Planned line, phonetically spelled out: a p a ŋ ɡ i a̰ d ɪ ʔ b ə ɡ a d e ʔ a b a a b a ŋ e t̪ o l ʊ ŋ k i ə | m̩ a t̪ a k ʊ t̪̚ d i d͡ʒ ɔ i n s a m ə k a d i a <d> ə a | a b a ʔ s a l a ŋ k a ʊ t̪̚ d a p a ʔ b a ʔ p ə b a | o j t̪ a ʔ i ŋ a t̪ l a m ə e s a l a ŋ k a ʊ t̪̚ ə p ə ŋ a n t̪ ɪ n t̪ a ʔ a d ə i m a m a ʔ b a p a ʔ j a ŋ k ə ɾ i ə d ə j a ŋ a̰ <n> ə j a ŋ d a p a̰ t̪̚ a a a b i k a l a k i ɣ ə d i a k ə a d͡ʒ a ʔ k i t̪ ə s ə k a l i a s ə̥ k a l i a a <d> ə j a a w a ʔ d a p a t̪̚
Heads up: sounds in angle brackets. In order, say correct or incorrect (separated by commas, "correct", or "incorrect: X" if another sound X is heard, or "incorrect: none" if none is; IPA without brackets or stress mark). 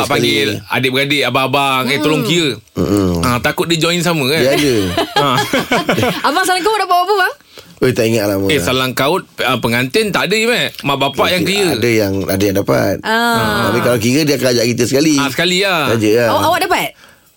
correct, incorrect: d, incorrect: d͡ʒ